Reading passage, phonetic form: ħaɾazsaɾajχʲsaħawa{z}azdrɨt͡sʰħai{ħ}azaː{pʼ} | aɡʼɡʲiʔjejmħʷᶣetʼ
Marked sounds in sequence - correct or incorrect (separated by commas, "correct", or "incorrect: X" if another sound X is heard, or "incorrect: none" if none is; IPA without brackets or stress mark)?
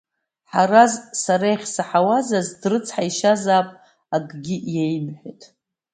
correct, incorrect: ʃ, correct